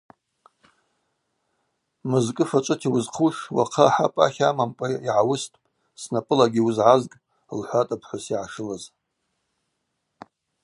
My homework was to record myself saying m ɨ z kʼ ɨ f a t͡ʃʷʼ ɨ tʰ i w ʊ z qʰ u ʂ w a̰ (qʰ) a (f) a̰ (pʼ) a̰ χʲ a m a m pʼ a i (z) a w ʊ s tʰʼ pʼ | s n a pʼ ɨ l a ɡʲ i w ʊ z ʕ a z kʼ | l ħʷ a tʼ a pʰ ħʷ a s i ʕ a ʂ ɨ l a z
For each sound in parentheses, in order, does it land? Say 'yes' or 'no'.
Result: yes, no, yes, no

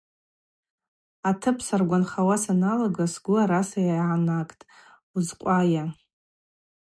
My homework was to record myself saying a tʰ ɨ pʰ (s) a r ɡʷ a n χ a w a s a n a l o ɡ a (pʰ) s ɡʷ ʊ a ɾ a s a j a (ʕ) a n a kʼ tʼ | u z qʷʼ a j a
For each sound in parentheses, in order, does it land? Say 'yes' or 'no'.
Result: yes, no, yes

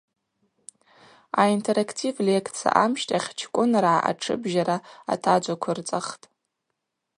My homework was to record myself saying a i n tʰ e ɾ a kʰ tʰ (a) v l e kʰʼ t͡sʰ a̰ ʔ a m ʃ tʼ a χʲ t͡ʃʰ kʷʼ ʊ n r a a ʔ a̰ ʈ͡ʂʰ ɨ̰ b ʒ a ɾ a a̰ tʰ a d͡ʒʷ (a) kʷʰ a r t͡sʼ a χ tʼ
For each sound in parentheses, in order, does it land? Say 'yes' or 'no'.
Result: no, yes

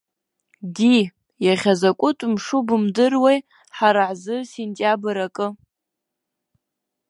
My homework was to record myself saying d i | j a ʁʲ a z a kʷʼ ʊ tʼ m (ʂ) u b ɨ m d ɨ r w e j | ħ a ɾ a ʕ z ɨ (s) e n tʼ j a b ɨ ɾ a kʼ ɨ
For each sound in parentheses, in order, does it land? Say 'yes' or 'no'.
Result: yes, yes

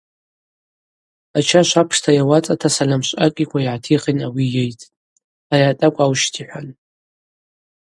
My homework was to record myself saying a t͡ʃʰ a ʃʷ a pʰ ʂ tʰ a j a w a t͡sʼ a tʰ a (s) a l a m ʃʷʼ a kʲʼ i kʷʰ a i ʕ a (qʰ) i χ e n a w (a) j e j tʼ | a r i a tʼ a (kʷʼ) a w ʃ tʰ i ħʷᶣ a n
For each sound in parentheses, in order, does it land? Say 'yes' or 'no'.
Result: yes, no, no, yes

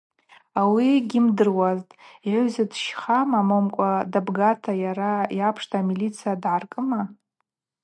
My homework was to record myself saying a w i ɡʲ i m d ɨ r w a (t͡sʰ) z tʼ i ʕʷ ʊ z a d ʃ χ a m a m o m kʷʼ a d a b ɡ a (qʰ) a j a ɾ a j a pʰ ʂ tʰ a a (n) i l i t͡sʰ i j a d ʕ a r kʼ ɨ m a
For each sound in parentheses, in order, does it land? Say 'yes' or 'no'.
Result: no, no, no

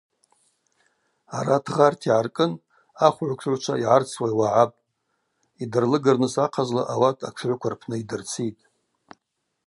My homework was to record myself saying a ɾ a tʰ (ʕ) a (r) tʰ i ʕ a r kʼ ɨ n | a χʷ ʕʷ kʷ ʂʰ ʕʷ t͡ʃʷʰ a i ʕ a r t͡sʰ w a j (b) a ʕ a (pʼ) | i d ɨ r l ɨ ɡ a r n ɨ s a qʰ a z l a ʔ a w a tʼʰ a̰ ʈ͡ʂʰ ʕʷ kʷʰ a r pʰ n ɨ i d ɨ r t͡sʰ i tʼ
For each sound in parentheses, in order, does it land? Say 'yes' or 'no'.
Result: no, yes, no, yes

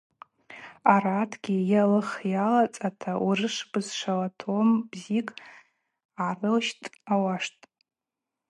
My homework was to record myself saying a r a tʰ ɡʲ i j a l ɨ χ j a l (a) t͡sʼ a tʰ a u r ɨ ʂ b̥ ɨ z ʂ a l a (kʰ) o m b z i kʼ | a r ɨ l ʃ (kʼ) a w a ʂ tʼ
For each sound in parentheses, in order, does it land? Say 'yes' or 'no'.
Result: yes, no, no

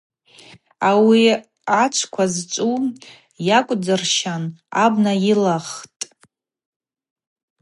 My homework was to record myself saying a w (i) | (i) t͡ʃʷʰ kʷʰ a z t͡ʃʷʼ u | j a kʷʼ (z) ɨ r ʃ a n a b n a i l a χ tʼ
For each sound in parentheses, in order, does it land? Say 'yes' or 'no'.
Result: yes, no, no

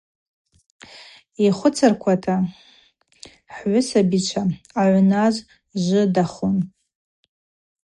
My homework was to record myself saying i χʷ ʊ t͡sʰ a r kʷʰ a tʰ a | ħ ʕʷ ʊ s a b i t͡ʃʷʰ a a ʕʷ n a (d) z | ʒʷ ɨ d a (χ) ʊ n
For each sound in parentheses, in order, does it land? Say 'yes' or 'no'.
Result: no, yes

